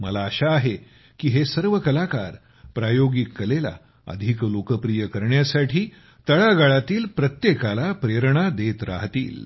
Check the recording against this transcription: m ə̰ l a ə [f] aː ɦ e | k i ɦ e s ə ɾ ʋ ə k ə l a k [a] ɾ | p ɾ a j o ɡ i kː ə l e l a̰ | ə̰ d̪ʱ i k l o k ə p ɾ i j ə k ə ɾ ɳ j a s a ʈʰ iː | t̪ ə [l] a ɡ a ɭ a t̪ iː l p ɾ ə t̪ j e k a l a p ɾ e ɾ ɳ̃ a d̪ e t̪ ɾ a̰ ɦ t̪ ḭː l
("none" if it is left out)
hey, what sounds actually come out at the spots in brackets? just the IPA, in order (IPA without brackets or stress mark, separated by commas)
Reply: ɕ, a, ɭ